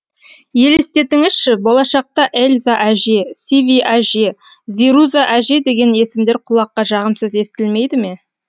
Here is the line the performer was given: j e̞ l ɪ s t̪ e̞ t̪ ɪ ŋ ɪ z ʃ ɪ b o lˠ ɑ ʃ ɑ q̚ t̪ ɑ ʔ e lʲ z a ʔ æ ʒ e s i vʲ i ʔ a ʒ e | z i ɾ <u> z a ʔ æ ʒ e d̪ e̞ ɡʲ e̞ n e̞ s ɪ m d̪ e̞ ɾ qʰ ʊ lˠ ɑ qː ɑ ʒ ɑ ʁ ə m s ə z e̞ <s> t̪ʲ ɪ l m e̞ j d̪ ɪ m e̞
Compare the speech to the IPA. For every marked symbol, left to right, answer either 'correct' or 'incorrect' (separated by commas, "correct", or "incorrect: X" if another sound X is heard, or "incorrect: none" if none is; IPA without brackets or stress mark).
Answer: correct, correct